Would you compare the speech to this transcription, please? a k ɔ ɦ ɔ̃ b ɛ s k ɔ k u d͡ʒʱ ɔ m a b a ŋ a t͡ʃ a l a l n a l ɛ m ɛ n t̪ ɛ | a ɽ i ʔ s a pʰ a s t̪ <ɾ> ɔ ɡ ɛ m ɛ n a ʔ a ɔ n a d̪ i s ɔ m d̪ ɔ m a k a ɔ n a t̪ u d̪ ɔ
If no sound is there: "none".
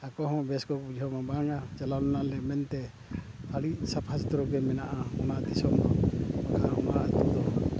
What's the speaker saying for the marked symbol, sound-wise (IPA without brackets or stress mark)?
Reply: ɾ